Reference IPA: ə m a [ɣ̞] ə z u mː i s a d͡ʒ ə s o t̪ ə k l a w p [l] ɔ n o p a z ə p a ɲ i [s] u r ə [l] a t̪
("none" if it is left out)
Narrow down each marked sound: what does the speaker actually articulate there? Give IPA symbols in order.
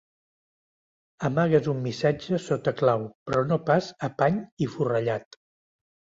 ɣ̞, ɾ, f, ʎ

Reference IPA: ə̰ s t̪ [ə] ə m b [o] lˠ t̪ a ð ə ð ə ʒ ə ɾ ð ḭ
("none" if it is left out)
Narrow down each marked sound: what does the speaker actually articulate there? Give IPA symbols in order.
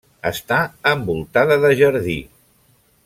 a, u

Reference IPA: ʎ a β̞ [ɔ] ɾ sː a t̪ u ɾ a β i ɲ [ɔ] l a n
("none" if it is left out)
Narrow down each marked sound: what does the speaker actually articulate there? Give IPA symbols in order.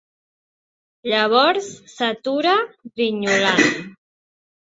ɔ, u

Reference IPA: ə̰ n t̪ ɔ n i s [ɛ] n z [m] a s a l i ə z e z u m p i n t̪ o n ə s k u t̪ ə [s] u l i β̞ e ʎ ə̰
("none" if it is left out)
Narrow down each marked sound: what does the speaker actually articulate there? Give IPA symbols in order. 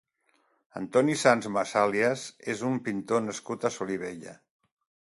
a, m, s

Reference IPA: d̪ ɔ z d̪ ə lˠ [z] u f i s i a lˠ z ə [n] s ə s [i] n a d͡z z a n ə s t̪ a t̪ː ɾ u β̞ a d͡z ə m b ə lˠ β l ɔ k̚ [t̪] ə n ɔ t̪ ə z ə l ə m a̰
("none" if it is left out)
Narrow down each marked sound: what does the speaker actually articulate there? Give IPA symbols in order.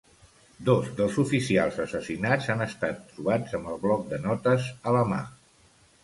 z, none, i, d̪

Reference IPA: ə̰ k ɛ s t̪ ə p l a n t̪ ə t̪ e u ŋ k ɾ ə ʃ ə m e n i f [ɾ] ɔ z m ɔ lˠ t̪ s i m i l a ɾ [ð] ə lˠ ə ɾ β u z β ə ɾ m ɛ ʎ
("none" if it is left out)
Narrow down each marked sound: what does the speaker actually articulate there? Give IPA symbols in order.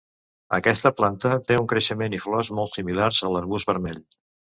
l, z

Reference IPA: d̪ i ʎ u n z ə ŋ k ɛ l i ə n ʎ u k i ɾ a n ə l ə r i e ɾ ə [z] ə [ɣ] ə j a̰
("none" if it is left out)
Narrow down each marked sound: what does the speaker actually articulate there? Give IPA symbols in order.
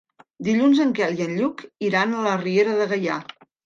ð, ɣ

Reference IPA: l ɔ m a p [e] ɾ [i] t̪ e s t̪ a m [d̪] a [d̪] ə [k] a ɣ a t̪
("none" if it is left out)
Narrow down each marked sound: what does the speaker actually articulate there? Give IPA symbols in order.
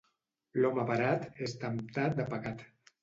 a, a, t̪, d̪, p

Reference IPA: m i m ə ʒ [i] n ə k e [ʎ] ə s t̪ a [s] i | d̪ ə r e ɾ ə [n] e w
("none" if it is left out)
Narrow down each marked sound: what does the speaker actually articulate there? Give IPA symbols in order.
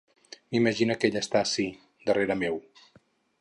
i, ʎ, s, m

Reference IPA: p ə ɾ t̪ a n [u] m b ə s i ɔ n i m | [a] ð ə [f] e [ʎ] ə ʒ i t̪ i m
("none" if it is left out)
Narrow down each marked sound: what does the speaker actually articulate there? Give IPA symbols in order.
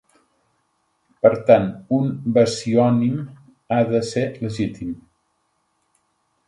u, a, s, l

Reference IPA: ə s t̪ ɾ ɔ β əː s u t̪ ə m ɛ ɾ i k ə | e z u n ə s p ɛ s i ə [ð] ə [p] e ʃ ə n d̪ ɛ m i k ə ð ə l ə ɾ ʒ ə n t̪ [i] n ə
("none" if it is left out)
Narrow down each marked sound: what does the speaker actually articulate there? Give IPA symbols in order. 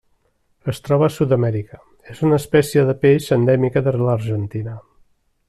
ð, p, i

